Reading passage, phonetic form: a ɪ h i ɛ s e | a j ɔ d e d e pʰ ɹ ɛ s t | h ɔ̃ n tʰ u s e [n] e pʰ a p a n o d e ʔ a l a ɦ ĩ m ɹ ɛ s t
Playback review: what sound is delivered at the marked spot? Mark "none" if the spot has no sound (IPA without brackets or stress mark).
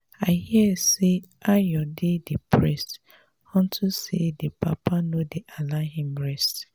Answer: d